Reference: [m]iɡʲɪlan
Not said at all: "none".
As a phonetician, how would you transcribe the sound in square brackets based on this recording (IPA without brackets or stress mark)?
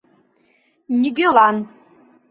n